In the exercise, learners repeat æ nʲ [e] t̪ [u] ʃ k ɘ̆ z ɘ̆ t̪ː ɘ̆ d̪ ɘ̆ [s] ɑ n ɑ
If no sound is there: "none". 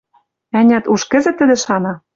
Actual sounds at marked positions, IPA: æ, u, ʃ

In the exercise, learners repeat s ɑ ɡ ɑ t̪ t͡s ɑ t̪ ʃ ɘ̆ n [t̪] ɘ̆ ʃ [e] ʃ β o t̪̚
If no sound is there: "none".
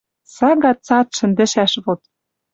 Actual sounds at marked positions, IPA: d̪, æ

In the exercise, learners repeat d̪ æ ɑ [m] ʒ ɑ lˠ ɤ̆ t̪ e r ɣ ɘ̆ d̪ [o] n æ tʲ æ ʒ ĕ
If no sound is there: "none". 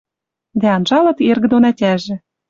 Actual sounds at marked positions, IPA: n, o

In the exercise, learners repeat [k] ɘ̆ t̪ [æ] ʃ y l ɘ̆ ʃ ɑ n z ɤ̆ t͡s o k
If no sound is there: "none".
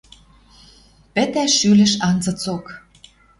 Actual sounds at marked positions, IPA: p, æ

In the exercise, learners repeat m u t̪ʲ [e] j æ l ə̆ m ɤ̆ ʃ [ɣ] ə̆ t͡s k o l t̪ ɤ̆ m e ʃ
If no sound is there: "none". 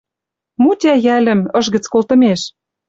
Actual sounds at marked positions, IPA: æ, ɣ

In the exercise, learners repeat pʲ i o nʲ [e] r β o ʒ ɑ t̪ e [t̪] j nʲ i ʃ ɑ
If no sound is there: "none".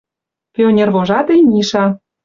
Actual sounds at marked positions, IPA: e, none

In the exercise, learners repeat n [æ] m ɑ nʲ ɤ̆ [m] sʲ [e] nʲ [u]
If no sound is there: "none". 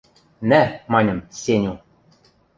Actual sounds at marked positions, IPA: æ, m, e, u

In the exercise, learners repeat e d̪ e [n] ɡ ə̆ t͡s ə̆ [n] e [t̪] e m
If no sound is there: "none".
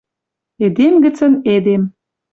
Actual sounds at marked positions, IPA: m, n, d̪

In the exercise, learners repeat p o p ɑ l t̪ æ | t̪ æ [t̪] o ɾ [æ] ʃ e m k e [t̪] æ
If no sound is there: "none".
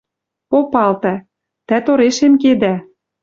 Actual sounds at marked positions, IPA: t̪, e, d̪

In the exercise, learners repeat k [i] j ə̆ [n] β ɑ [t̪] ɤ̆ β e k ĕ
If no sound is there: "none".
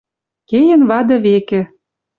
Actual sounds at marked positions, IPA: e, n, d̪

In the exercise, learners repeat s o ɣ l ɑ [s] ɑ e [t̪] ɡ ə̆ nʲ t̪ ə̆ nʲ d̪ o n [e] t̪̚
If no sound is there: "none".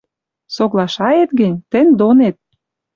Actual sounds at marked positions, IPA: ʃ, t̪, e

